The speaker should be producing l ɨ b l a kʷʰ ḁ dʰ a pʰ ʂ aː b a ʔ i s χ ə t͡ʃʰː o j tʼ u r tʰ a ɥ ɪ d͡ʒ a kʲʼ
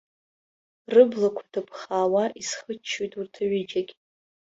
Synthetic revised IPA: r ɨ b l a kʷʰ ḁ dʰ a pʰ χ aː w a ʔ i s χ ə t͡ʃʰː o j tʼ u r tʰ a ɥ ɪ d͡ʒ a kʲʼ